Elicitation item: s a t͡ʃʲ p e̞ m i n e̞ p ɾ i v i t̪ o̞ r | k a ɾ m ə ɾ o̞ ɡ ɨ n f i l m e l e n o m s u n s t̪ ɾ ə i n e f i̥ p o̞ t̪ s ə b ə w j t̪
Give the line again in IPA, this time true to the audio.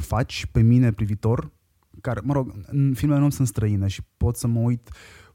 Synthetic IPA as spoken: f a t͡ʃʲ p e̞ m i n e̞ p ɾ i v i t̪ o̞ r | k a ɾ m ə ɾ o̞ ɡ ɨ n f i l m e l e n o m s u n s t̪ ɾ ə i n e ʃ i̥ p o̞ t̪ s ə m ə u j t̪